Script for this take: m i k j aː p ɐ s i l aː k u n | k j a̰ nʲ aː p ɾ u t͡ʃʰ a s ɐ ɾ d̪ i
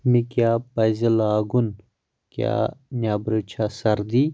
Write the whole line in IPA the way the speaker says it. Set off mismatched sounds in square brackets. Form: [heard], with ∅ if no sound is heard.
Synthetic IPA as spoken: m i k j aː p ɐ [z] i l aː [ɡ] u n | k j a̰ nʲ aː [b] ɾ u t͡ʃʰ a s ɐ ɾ d̪ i